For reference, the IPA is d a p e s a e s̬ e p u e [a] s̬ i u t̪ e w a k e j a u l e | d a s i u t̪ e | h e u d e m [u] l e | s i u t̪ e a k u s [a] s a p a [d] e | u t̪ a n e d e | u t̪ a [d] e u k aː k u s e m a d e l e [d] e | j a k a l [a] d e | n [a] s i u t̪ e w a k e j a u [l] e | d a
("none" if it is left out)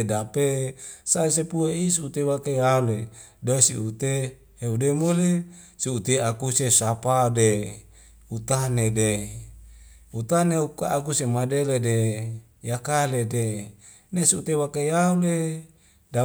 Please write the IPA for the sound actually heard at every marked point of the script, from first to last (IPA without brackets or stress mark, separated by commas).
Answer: i, o, e, d, n, d, e, e, l